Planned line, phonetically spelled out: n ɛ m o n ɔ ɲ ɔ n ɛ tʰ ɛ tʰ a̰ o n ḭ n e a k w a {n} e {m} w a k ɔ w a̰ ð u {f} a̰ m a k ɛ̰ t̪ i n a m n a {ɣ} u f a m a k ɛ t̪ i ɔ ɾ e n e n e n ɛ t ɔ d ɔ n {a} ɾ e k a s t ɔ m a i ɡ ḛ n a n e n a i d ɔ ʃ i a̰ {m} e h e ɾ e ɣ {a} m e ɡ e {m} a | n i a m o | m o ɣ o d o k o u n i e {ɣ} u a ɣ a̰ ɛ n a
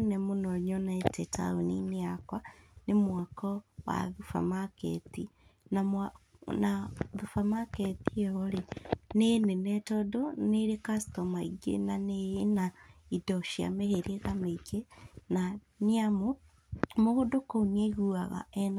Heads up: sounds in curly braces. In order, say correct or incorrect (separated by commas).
correct, correct, correct, incorrect, incorrect, correct, correct, incorrect, correct